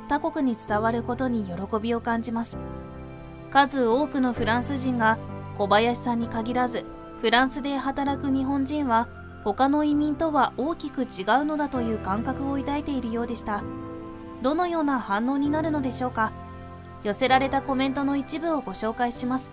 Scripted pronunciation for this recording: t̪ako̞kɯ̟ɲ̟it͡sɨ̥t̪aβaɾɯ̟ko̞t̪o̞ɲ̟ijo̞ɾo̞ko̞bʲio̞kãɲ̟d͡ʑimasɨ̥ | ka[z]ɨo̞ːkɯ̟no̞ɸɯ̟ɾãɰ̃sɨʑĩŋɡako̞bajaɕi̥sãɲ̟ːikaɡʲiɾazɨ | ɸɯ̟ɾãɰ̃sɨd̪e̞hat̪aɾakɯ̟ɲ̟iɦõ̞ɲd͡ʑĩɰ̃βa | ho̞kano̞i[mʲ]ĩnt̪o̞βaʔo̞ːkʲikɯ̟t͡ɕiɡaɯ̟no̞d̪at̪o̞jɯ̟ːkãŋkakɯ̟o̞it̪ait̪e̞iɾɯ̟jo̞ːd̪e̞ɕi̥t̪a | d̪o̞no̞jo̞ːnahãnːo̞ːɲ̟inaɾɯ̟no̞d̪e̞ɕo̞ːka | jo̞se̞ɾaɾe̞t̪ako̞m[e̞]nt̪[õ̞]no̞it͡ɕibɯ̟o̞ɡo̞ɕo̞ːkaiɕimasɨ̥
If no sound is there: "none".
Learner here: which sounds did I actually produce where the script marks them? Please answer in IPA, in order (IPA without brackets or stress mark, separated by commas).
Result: z, mʲ, ẽ̞, o̞